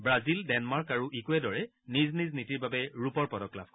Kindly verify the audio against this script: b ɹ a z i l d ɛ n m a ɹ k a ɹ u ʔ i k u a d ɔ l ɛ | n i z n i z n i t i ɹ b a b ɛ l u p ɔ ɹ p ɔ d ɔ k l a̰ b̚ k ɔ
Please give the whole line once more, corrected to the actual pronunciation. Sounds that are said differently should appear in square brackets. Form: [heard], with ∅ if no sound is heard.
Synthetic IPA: b ɹ a z i l d ɛ n m a ɹ k a ɹ u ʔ i k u [ɛ] d ɔ [ɹ] ɛ | n i z n i z n i t i ɹ b a b ɛ [ɹ] u p ɔ ɹ p ɔ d ɔ k l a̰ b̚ k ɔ